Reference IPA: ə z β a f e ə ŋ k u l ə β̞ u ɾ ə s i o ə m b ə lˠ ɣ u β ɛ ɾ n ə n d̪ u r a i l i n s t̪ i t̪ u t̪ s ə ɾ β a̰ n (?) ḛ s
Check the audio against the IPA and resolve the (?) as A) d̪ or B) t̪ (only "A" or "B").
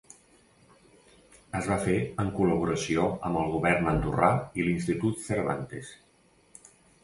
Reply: B